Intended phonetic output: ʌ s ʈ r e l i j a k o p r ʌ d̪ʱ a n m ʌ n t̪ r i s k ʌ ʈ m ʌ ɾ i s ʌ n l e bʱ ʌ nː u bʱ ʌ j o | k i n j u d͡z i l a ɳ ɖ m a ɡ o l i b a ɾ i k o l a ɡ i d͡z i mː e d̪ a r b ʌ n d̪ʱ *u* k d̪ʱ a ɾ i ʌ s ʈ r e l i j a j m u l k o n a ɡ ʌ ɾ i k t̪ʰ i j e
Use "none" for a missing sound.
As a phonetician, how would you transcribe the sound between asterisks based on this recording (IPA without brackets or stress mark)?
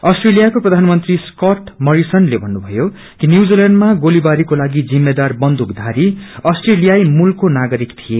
u